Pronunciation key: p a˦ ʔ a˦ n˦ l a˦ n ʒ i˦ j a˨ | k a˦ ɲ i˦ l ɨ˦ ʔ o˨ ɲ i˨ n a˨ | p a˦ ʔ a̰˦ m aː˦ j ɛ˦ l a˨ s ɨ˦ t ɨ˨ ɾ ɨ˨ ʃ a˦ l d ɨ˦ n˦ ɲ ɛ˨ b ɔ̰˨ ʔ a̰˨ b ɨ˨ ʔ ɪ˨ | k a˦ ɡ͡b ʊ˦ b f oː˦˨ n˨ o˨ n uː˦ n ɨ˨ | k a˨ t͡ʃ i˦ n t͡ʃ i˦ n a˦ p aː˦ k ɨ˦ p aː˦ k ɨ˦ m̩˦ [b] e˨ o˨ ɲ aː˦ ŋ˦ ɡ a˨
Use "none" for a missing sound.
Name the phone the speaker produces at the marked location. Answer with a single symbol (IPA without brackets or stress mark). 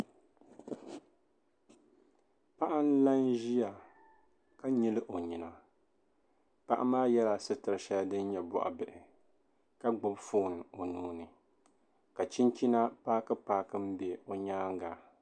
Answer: b